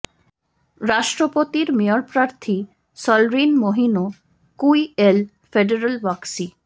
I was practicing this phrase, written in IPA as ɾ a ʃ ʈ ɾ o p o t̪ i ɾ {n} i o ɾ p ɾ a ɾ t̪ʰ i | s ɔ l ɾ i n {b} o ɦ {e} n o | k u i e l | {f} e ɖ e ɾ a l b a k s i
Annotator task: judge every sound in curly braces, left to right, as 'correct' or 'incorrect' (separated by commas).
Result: incorrect, incorrect, incorrect, correct